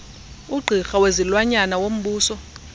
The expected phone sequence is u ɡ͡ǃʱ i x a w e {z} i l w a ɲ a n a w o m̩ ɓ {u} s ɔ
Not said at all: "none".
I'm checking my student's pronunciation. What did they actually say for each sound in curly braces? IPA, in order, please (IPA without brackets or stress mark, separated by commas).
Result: z, uː